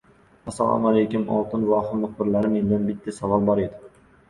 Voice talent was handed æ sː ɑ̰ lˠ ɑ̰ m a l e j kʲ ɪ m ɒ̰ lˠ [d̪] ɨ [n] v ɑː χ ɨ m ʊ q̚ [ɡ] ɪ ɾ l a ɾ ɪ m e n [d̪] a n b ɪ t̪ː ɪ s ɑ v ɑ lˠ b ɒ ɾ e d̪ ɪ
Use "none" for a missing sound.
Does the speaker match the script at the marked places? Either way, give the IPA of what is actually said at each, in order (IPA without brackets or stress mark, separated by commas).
t̪, n, b, d̪